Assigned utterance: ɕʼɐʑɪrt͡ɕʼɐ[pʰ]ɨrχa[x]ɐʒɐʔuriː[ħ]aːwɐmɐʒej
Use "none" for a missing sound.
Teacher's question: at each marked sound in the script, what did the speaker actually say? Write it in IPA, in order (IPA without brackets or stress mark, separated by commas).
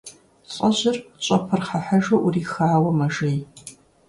pʰ, ħ, x